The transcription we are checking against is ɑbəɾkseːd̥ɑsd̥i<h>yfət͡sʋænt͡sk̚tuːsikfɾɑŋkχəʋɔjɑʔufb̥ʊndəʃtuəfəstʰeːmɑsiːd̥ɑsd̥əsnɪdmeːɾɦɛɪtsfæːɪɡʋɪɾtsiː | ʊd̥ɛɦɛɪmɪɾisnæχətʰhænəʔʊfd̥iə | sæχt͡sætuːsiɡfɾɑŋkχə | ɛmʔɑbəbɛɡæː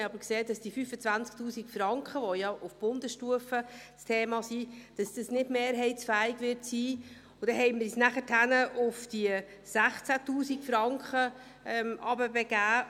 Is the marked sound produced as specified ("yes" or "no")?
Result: no